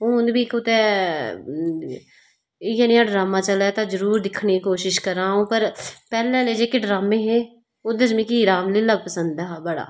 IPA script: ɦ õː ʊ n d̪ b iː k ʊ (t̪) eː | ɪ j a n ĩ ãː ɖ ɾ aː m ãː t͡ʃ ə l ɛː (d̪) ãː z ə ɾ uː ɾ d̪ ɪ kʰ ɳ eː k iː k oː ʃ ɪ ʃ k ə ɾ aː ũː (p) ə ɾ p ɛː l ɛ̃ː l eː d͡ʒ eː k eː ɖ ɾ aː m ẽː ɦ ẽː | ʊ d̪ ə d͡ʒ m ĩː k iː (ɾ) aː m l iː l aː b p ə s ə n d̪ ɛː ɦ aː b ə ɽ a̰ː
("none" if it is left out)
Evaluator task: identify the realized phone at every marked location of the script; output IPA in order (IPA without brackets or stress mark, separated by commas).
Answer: t̪, t̪, p, ɾ